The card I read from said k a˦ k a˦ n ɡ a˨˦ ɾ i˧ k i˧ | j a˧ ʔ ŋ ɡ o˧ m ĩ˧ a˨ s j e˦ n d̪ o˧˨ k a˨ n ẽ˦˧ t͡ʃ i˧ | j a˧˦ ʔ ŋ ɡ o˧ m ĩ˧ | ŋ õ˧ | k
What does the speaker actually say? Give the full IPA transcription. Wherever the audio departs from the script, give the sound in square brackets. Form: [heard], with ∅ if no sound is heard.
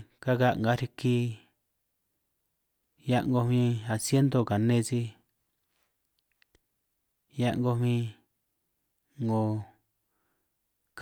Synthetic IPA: k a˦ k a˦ [ŋ] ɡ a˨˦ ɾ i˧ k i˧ | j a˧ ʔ ŋ ɡ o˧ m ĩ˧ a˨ s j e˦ n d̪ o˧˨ k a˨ n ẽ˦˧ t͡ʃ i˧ | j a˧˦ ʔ ŋ ɡ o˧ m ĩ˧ | ŋ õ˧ | k